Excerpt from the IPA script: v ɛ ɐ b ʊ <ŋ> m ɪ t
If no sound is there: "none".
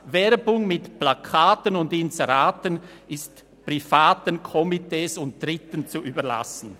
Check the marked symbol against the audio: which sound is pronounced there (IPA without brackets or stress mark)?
ŋ